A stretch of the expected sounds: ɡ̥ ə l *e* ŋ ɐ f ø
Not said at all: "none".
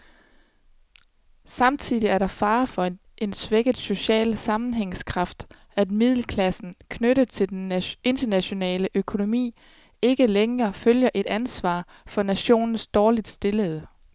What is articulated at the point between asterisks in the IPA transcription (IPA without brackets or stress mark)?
e